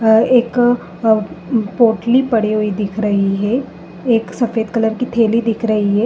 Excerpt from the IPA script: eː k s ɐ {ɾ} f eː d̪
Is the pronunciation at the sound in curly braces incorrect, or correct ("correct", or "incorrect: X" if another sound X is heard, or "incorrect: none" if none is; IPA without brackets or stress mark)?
incorrect: none